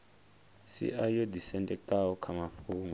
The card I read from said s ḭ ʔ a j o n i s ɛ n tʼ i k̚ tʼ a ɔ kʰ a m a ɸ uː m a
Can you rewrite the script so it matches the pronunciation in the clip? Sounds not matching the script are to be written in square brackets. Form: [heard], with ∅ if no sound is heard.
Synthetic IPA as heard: s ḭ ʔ a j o [d] i s ɛ n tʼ [ɛ] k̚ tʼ a ɔ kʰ a m a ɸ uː [ŋ] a